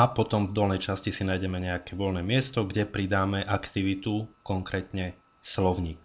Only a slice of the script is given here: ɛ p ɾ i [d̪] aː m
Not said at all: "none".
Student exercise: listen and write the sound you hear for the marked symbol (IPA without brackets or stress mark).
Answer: d̪